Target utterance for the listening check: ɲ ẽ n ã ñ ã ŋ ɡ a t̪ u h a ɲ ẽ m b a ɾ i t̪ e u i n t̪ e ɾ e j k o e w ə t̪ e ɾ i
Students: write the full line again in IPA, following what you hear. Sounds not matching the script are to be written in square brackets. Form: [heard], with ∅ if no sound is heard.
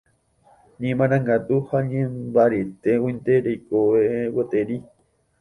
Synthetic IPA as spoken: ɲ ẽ [m] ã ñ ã ŋ ɡ a t̪ u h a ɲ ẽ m b a ɾ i t̪ e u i n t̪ e ɾ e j k o e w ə t̪ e ɾ i